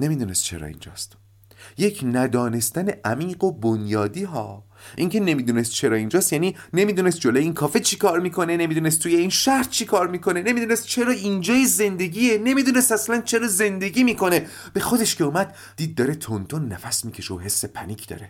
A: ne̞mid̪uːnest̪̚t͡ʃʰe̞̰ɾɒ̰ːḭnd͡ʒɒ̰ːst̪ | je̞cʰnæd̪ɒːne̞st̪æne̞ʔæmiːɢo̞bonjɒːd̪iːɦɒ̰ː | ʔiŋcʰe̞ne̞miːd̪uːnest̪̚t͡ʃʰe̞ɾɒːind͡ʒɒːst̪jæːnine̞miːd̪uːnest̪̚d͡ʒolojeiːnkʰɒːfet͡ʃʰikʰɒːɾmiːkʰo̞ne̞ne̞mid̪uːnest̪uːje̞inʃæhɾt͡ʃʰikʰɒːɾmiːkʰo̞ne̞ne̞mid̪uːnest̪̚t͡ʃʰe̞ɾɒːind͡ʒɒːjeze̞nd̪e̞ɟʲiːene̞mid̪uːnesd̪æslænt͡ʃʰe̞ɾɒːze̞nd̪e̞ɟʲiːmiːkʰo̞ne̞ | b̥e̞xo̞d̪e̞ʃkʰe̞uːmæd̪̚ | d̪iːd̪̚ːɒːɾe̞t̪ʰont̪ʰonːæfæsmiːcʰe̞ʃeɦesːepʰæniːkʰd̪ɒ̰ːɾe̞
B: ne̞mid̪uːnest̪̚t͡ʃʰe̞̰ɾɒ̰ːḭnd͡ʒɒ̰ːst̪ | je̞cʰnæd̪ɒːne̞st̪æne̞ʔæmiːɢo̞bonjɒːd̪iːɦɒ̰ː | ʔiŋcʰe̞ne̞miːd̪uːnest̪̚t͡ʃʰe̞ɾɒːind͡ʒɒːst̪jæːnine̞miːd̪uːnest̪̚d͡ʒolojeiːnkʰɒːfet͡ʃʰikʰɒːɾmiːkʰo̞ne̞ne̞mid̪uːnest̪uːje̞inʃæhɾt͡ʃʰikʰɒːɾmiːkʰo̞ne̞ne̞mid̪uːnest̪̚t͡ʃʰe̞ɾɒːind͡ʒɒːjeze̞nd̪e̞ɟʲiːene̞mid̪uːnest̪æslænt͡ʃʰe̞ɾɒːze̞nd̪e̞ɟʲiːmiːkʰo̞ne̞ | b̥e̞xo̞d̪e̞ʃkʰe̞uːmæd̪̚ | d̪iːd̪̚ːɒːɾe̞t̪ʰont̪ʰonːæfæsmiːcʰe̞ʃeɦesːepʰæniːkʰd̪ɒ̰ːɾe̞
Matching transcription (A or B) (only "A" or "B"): B